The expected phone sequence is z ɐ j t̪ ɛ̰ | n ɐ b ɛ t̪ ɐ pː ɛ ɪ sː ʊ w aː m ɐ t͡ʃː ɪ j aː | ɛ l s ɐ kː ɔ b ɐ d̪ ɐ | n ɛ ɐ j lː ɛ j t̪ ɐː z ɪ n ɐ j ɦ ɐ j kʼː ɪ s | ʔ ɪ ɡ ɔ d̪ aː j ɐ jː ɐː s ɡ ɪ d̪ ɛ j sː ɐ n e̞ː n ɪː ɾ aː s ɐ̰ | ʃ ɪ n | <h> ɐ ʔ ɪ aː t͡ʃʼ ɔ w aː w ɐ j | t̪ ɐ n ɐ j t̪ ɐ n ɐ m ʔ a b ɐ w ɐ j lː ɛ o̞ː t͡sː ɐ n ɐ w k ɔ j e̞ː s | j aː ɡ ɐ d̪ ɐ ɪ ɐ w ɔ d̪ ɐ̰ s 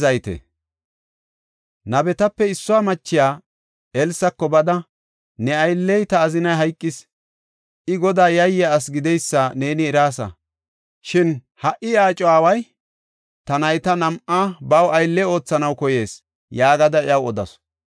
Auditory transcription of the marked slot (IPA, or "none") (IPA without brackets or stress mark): h